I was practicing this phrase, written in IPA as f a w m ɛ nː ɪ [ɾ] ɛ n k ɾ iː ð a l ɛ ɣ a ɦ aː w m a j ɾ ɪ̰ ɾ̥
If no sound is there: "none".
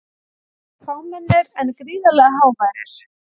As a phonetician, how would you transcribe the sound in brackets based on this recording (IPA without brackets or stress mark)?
ɾ